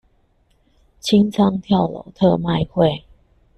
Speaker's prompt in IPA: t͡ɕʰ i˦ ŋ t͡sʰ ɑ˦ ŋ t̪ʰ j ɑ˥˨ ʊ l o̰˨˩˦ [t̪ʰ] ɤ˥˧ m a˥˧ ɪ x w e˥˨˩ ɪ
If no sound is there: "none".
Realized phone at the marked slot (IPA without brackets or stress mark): t̪ʰ